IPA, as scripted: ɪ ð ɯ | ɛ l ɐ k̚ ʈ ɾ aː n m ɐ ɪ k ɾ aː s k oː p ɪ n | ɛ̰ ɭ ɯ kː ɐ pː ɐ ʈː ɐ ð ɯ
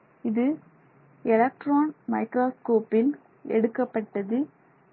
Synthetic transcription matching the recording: ɪ ð ɯ | ɛ l ɐ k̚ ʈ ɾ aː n m ɐ ɪ k ɾ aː s k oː p ɪ n | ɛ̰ ɽ ɯ kː ɐ pː ɐ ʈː ɐ ð ɯ